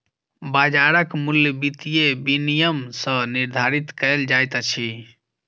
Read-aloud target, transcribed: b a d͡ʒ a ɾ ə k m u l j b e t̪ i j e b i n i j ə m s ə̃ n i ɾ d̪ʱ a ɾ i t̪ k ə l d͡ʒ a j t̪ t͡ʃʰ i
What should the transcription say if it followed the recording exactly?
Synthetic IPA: b a d͡ʒ a ɾ ə k m u l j b i t̪ i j e b i n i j ə m s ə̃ n i ɾ d̪ʱ a ɾ i t̪ k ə l d͡ʒ a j t̪ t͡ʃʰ i